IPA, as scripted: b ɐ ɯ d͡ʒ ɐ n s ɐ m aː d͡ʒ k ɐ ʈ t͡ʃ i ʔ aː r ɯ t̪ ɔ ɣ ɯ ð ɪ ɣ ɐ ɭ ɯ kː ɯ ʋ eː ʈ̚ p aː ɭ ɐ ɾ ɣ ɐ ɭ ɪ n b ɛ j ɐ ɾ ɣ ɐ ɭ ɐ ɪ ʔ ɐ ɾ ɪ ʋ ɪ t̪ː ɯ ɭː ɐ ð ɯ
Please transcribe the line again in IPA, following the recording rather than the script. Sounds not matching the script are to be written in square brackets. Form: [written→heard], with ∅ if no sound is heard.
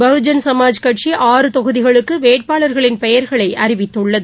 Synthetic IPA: b ɐ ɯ d͡ʒ ɐ n s ɐ m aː d͡ʒ k ɐ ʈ t͡ʃ i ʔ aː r ɯ t̪ ɔ ɣ ɯ ð ɪ ɣ ɐ ɭ ɯ kː ɯ ʋ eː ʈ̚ p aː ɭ ɐ ɾ ɣ ɐ ɭ ɪ n [b→p] ɛ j ɐ ɾ ɣ ɐ ɭ ɐ ɪ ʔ ɐ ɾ ɪ ʋ ɪ t̪ː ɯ ɭː ɐ ð ɯ